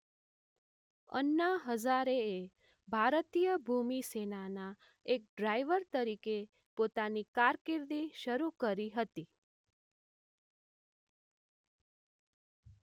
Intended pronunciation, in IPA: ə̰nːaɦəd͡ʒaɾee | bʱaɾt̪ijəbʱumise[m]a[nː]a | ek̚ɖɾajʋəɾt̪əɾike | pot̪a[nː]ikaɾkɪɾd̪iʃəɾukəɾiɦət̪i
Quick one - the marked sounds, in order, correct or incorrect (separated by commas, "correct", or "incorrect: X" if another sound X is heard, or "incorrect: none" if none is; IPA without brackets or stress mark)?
incorrect: n, incorrect: n, incorrect: n